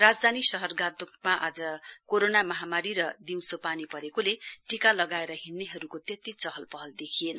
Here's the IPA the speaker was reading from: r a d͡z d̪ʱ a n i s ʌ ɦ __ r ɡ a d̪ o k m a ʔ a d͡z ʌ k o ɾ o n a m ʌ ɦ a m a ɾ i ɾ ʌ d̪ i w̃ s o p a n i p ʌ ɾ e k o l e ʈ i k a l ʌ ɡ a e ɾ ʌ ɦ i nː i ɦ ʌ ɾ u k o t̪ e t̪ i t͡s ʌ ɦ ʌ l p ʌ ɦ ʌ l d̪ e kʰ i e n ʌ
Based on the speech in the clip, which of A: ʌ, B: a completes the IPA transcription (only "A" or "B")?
A